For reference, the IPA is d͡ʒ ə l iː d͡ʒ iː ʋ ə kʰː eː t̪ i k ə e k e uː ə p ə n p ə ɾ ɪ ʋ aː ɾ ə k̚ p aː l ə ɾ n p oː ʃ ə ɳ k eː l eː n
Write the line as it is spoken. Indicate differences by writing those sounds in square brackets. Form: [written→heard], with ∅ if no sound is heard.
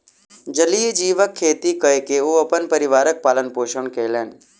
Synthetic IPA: d͡ʒ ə l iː d͡ʒ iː ʋ ə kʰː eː t̪ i k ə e k e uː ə p ə n p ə ɾ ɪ ʋ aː ɾ ə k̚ p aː l ə [ɾ→∅] n p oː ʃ ə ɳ k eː l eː n